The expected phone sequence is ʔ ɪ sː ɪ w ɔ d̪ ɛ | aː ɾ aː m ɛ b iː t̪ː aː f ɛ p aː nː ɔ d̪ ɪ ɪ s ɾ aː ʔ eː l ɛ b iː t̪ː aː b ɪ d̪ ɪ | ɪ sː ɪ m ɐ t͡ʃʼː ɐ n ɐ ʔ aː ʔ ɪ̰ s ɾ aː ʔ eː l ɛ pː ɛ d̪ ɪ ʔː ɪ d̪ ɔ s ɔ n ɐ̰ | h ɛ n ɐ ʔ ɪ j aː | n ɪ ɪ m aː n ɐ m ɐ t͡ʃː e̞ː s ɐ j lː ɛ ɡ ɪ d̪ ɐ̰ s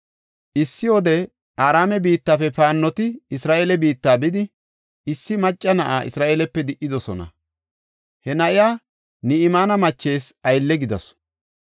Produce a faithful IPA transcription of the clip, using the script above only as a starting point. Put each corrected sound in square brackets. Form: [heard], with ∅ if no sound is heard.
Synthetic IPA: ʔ ɪ sː ɪ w ɔ d̪ ɛ | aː ɾ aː m ɛ b iː t̪ː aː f ɛ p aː nː ɔ [t̪] ɪ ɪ s ɾ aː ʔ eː l ɛ b iː t̪ː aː b ɪ d̪ ɪ | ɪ sː ɪ m ɐ t͡ʃʼː ɐ n ɐ ʔ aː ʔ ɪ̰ s ɾ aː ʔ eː l ɛ pː ɛ d̪ ɪ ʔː ɪ d̪ ɔ s ɔ n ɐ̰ | h ɛ n ɐ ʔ ɪ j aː | n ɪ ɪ m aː n ɐ m ɐ t͡ʃː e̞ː s ɐ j lː ɛ ɡ ɪ d̪ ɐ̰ s